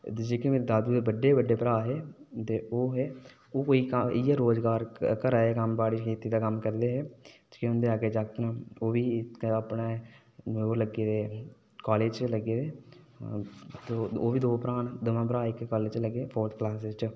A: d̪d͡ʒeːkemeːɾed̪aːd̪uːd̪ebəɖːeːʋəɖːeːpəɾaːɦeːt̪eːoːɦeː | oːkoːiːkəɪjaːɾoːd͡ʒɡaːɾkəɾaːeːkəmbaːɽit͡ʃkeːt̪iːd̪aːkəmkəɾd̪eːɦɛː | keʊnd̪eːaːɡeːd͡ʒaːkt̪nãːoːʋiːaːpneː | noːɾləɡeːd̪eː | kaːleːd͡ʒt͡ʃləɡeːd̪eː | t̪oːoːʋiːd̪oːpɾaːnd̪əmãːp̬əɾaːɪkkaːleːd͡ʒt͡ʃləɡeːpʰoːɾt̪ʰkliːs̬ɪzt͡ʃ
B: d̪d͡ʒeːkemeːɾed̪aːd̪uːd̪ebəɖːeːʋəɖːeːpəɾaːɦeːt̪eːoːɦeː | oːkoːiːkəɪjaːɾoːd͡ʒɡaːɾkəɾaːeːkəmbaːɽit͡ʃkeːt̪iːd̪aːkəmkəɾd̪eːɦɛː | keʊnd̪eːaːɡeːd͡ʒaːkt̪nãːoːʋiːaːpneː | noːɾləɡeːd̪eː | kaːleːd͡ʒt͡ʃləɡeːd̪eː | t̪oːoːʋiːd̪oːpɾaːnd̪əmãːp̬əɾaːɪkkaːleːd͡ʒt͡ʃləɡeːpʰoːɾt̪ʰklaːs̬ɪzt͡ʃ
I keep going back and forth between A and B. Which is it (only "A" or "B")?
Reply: B